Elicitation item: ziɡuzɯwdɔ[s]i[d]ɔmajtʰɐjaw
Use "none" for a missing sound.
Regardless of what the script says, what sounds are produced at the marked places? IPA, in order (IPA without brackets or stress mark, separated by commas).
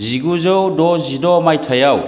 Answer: z, d